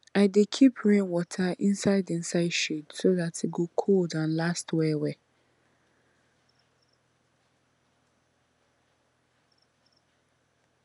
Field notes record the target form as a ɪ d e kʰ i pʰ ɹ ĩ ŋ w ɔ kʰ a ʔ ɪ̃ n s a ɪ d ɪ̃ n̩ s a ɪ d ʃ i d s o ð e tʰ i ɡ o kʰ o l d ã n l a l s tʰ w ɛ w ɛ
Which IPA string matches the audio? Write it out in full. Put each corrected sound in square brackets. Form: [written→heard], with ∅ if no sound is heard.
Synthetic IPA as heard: a ɪ d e kʰ i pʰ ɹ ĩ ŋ w ɔ [kʰ→tʰ] a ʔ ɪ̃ n s a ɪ d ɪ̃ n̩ s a ɪ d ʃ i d s o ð [e→a] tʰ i ɡ o kʰ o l d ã n l a [l→∅] s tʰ w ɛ w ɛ